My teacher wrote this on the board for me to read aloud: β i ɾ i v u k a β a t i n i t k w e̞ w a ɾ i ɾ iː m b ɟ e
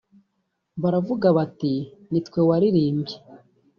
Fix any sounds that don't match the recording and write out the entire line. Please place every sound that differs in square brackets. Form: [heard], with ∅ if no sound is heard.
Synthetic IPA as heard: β [a] ɾ [a] v u [ɡ] a β a t i n i t k w e̞ w a ɾ i ɾ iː m b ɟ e